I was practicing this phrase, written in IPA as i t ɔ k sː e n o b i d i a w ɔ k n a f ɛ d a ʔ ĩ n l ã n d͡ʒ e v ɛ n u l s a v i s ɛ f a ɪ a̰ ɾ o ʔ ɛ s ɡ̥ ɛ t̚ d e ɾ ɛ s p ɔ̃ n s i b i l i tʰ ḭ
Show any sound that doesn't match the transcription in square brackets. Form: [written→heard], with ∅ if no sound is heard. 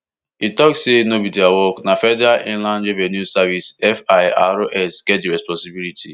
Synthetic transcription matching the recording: i t ɔ k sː e n o b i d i a w ɔ k n a f ɛ d a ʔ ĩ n l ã n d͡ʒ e v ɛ n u [l→∅] s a v i s ɛ f a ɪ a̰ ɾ o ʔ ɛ s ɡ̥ ɛ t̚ d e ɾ ɛ s p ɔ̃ n s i b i l i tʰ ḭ